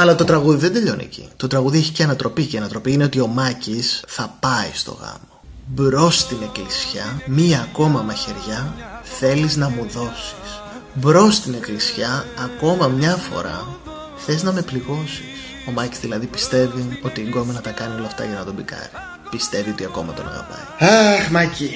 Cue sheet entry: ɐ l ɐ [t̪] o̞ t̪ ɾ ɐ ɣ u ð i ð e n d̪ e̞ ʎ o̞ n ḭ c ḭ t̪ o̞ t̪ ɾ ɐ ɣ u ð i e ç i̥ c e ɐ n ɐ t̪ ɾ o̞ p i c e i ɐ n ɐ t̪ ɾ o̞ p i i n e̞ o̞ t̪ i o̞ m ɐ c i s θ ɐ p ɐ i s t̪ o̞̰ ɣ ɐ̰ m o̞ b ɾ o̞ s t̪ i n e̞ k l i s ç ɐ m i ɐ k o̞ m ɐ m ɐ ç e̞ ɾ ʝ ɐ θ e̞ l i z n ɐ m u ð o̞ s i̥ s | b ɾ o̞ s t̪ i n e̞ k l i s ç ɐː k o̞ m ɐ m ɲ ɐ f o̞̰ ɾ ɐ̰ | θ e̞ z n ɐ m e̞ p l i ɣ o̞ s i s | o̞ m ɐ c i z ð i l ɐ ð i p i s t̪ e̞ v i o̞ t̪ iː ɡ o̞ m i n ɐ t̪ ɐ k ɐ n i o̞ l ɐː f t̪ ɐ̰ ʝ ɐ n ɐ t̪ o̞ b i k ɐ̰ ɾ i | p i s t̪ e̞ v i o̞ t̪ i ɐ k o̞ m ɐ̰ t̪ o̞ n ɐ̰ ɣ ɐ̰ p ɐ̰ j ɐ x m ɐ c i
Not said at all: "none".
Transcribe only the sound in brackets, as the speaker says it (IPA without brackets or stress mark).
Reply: t̪